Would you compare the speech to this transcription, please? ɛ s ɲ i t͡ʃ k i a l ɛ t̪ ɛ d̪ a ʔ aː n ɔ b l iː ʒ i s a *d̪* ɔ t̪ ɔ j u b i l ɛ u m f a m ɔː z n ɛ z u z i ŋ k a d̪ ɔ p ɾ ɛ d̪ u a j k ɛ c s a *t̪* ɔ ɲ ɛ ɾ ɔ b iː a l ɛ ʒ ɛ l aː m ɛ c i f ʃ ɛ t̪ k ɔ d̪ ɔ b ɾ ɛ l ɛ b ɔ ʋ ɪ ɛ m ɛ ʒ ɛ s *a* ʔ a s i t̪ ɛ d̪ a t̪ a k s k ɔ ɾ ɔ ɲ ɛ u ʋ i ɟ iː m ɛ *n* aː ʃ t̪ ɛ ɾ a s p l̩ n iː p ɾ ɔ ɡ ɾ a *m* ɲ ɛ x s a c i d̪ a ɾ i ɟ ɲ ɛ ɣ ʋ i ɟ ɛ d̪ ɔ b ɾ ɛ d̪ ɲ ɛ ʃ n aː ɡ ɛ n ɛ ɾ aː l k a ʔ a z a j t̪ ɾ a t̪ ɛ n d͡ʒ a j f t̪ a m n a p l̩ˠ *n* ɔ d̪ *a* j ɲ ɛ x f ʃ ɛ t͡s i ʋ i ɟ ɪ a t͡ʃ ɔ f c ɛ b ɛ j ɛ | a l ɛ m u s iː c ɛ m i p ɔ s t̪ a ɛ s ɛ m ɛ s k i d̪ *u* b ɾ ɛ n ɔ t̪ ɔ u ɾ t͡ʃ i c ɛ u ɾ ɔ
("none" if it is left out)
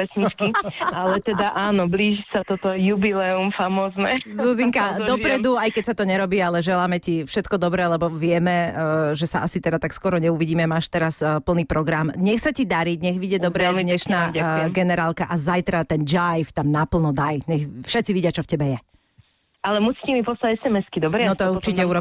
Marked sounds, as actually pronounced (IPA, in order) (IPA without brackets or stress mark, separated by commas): t̪, t̪, a, m, m, n, a, ɔ